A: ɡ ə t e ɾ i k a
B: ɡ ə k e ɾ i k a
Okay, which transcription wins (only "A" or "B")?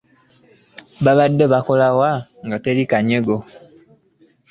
A